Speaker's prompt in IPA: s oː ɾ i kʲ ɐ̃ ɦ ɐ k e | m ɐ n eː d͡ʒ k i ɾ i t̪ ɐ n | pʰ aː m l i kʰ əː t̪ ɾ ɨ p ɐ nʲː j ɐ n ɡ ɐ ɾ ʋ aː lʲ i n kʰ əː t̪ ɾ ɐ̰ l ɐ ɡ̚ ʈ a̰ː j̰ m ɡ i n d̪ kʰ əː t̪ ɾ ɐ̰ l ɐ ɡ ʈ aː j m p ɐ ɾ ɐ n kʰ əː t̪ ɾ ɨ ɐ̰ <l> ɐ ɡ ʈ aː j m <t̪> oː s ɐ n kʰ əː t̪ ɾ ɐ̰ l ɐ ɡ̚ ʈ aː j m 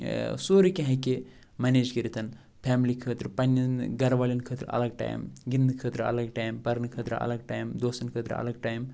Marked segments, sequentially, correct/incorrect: correct, incorrect

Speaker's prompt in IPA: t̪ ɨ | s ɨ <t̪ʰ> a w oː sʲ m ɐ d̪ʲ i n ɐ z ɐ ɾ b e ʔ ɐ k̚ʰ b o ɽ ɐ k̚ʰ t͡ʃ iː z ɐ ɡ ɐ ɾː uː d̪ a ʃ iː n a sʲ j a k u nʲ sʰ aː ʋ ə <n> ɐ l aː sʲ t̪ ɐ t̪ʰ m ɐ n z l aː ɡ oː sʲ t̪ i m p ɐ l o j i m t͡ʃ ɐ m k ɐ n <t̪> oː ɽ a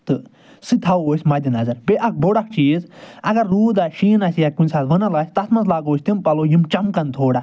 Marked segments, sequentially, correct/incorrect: correct, correct, incorrect

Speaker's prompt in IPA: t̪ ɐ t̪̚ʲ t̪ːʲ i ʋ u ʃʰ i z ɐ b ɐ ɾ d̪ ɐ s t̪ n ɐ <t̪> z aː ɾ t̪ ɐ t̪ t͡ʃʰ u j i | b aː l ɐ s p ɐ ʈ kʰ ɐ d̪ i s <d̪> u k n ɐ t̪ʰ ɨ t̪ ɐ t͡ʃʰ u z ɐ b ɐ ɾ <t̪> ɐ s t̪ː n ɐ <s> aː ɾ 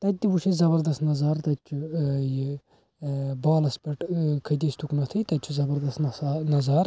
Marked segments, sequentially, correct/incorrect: incorrect, incorrect, incorrect, incorrect

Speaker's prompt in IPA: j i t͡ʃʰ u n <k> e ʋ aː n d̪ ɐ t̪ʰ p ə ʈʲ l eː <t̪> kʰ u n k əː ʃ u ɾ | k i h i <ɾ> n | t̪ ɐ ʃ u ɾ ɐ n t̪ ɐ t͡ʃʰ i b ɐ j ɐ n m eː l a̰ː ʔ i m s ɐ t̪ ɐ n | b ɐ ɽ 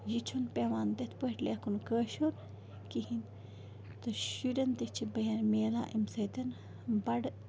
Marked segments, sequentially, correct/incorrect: incorrect, incorrect, incorrect

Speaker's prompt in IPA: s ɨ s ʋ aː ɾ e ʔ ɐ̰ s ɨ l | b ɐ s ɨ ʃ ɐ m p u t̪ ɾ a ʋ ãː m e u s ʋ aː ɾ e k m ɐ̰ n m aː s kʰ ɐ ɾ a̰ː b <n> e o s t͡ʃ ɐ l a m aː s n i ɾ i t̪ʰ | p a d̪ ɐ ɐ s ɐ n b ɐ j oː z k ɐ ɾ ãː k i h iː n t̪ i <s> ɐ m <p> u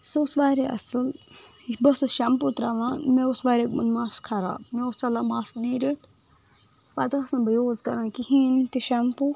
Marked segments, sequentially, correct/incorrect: incorrect, incorrect, correct

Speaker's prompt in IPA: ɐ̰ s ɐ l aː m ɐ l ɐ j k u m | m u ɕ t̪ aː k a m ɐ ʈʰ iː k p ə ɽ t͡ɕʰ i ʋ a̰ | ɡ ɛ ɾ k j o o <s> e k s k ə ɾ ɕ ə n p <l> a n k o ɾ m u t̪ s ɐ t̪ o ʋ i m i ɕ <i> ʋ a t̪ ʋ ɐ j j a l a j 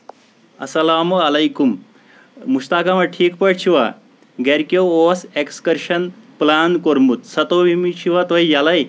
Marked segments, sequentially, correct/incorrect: correct, correct, correct

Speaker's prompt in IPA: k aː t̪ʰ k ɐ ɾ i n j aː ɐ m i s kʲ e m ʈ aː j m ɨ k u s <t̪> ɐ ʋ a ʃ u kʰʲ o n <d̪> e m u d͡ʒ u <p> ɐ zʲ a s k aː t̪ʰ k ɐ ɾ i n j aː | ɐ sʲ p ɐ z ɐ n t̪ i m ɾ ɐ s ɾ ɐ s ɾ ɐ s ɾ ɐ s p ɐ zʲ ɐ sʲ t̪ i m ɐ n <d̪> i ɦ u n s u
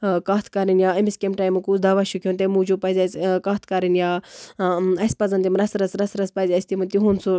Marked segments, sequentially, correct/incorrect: incorrect, incorrect, correct, incorrect

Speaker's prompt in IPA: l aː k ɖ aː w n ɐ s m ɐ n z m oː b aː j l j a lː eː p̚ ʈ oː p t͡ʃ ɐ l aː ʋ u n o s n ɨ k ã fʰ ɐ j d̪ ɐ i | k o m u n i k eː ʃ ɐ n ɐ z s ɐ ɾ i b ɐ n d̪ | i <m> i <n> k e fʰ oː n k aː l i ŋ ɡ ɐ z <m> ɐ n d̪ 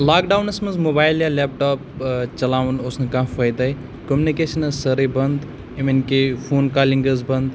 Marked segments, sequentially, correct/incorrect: correct, correct, incorrect

